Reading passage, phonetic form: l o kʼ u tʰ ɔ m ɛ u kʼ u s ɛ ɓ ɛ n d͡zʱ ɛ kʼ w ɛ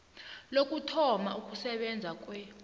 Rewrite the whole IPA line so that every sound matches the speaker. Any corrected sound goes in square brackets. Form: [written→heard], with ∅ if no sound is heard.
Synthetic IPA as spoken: l o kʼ u tʰ ɔ m [ɛ→a] u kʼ u s ɛ ɓ ɛ n d͡zʱ [ɛ→a] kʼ w ɛ